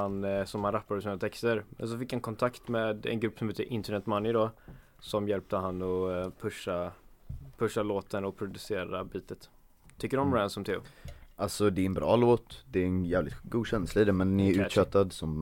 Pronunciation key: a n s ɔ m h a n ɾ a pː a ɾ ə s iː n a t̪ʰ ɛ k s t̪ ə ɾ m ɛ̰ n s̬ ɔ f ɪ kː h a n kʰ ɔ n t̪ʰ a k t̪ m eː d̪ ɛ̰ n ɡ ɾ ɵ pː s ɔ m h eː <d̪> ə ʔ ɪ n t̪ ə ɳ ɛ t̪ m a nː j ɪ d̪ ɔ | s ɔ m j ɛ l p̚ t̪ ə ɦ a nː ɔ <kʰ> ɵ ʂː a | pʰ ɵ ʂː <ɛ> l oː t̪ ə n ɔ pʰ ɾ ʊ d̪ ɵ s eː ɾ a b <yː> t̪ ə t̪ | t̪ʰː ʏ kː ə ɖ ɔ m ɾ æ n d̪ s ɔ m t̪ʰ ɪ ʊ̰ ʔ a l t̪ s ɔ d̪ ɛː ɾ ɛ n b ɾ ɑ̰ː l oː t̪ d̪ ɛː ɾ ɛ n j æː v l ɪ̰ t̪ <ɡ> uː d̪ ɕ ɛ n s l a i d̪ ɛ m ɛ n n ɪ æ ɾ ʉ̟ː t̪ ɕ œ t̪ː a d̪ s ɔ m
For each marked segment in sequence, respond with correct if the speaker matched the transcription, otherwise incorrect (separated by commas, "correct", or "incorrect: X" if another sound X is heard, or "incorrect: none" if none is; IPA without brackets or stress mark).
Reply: incorrect: t̪, incorrect: pʰ, incorrect: a, incorrect: iː, correct